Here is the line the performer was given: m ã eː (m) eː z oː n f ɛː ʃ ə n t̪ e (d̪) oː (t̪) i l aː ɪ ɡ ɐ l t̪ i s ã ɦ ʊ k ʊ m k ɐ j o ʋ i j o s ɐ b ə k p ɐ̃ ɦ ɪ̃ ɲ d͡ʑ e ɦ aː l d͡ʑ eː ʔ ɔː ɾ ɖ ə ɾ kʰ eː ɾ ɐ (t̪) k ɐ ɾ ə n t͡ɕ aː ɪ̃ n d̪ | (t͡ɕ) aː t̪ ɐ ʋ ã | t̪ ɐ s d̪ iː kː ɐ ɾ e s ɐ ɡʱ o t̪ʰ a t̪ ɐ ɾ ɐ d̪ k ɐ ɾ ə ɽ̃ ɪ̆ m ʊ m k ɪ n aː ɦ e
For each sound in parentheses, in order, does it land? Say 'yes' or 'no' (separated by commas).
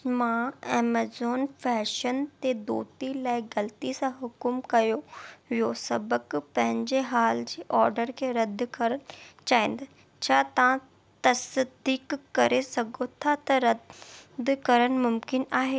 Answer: yes, yes, yes, no, no